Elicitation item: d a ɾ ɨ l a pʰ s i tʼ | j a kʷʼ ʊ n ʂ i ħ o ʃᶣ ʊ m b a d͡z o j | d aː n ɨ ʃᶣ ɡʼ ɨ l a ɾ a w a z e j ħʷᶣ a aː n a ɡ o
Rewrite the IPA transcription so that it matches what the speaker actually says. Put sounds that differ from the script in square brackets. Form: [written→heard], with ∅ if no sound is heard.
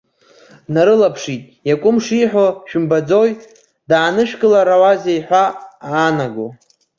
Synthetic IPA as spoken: [d→n] a ɾ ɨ l a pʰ [s→ʂ] i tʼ | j a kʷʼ ʊ [n→m] ʂ i ħ o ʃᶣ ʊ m b a d͡z o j | d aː n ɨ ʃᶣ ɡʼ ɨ l a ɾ a w a z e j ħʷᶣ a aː n a ɡ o

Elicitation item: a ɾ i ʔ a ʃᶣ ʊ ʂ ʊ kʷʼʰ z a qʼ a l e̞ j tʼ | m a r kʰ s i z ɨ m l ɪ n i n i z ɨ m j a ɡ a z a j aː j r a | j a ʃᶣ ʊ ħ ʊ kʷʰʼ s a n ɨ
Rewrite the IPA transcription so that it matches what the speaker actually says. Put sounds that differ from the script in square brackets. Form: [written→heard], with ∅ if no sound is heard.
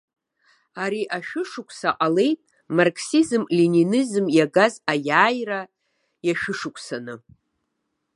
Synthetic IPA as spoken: a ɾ i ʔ a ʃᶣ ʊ ʂ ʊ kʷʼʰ [z→s] a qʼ a l e̞ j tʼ | m a r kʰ s i z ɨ m l [ɪ→i] n i n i z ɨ m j a ɡ a z a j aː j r a | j a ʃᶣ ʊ [ħ→ʂ] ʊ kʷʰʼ s a n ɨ

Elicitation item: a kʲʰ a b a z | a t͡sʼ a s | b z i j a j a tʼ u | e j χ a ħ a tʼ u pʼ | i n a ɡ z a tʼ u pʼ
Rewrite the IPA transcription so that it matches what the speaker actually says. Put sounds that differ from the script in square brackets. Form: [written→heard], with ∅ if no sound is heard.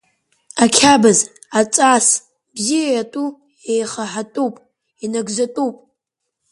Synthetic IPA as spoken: a kʲʰ a b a z | a t͡sʼ a s | b z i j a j a tʼ u | e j χ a ħ a tʼ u pʼ | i n a ɡ z a tʼ u pʼ

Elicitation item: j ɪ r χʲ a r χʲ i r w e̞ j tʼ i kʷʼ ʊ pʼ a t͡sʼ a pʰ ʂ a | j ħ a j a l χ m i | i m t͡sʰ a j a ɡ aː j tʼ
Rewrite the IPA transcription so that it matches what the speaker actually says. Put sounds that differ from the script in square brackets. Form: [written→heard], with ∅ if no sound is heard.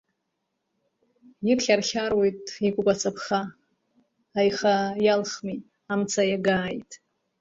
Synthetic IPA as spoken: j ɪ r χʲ a r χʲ [i→a] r w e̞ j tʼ i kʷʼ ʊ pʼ a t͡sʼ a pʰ [ʂ→χ] a | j [ħ→χ] a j a l χ m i | [i→a] m t͡sʰ a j a ɡ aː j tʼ

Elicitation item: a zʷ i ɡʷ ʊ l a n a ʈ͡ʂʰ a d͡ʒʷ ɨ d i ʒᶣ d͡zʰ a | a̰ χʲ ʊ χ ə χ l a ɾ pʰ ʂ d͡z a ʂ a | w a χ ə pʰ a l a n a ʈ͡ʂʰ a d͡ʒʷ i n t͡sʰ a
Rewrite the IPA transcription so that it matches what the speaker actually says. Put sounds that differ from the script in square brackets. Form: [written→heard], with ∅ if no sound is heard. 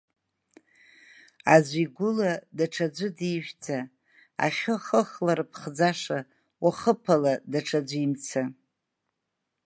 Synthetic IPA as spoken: a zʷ i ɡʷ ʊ l a [n→d] a ʈ͡ʂʰ a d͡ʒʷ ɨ d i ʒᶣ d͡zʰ a | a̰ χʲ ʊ χ ə χ l a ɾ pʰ [ʂ→χ] d͡z a ʂ a | w a χ ə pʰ a l a [n→d] a ʈ͡ʂʰ a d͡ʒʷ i [n→m] t͡sʰ a

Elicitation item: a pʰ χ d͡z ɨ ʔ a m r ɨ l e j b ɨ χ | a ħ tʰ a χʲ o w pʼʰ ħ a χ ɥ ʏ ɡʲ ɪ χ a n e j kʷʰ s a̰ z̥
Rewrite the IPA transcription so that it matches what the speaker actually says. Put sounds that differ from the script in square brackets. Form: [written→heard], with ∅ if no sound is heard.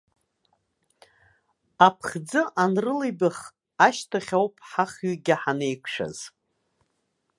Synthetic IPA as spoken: a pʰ χ d͡z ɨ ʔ a [m→n] r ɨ l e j b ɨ χ | a [ħ→ʃ] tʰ a χʲ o w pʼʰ ħ a χ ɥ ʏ ɡʲ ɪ [χ→ħ] a n e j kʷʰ [s→ʂ] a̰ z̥

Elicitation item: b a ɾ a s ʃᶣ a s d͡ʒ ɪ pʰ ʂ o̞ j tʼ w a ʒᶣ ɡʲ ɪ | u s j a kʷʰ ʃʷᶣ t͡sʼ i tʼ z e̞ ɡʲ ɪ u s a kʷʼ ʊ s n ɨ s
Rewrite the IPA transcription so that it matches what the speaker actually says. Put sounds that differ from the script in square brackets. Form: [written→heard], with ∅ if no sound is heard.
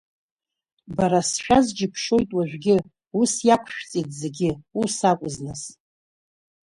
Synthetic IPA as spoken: b a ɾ a s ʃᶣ a [s→z] d͡ʒ ɪ pʰ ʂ o̞ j tʼ w a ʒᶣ ɡʲ ɪ | u s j a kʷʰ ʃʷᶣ t͡sʼ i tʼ z e̞ ɡʲ ɪ u s a kʷʼ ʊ [s→z] n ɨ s

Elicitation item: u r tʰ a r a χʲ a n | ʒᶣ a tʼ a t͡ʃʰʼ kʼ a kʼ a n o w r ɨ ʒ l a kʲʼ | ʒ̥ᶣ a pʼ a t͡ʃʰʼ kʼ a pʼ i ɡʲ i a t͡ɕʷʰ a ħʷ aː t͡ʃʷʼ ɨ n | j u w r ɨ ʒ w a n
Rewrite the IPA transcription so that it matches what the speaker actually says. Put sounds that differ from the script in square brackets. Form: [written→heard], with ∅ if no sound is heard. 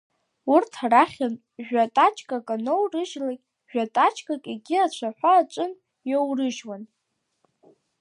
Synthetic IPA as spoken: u r tʰ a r a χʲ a n | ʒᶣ a tʼ a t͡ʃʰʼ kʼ a kʼ a n o w r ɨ ʒ l a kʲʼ | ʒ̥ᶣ a [pʼ→tʼ] a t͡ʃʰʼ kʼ a [pʼ→kʼ] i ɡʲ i a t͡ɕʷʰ a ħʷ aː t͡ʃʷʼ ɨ n | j [u→o] w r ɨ ʒ w a n

